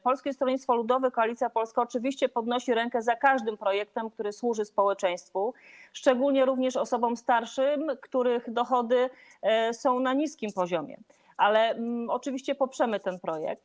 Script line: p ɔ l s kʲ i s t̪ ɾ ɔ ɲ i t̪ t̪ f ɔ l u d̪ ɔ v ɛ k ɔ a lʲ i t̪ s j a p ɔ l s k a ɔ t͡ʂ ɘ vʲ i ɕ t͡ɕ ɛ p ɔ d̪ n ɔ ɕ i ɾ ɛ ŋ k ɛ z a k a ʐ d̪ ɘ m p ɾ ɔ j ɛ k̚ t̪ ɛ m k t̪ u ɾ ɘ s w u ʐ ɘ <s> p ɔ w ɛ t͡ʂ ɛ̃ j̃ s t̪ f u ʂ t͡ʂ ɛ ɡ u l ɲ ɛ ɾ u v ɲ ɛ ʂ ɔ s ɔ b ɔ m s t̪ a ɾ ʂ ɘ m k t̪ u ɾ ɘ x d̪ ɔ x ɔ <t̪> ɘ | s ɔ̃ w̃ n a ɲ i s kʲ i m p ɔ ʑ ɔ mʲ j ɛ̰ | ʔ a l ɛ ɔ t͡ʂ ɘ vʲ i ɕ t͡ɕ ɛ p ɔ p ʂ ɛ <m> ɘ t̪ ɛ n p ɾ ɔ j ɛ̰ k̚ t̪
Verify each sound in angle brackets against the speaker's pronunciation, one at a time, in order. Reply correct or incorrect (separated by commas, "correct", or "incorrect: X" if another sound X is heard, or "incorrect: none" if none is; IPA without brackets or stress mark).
correct, incorrect: d̪, correct